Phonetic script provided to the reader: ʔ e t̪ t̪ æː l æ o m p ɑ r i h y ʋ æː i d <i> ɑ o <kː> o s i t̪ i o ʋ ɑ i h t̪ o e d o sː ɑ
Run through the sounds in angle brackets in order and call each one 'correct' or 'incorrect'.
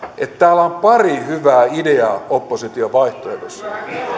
incorrect: e, incorrect: pː

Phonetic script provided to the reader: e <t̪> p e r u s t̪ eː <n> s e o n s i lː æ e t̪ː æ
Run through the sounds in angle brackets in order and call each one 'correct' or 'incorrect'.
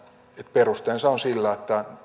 correct, correct

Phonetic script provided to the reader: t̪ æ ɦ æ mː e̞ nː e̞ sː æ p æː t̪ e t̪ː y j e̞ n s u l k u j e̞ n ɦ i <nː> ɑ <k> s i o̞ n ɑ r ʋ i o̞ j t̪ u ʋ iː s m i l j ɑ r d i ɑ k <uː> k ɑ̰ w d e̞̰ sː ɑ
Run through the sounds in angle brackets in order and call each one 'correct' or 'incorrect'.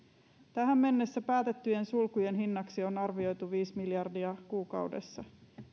correct, correct, correct

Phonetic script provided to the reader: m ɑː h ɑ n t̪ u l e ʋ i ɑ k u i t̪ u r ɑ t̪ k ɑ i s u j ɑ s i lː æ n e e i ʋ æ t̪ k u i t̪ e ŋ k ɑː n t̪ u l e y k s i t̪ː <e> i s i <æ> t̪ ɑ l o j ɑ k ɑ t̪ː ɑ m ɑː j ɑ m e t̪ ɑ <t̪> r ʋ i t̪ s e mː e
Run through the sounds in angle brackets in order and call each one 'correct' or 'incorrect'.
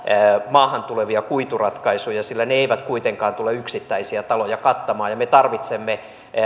incorrect: æ, correct, incorrect: none

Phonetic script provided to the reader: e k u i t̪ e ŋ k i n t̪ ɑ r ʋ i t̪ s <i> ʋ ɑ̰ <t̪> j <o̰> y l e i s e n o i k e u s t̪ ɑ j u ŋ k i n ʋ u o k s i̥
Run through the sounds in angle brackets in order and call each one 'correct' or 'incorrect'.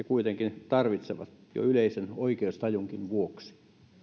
incorrect: e, correct, correct

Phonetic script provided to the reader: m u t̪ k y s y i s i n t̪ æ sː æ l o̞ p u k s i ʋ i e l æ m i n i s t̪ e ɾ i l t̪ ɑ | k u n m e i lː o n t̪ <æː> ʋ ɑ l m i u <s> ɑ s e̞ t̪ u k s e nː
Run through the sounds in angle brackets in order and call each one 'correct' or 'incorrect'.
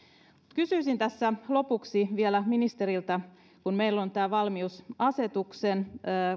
correct, correct

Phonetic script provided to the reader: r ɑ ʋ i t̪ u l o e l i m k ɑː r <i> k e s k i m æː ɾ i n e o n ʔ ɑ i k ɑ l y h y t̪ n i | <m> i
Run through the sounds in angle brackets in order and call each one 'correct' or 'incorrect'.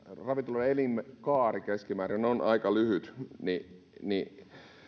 correct, incorrect: n

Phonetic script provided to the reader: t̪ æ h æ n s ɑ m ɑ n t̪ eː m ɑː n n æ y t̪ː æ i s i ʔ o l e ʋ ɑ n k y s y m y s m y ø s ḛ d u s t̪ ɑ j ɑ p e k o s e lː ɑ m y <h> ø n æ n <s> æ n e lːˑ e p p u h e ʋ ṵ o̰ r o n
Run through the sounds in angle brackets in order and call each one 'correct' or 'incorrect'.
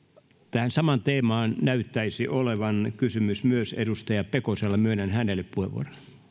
incorrect: none, incorrect: h

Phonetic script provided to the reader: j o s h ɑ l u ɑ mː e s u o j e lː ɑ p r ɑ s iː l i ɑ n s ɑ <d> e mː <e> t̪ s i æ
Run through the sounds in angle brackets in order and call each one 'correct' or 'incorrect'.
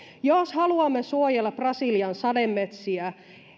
correct, correct

